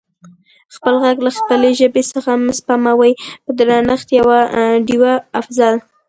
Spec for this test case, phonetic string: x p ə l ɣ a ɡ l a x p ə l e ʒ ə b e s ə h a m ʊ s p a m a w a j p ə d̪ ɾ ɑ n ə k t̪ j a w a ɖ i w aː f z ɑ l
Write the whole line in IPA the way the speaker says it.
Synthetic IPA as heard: x p ə l ɣ a ɡ l a x p ə l e ʒ ə b e s ə x a m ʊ s p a m a w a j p ə d̪ ɾ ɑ n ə x t̪ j a w a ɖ i w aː f z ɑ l